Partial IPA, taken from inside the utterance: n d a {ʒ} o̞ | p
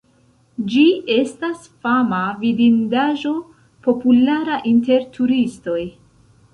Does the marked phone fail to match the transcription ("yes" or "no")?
no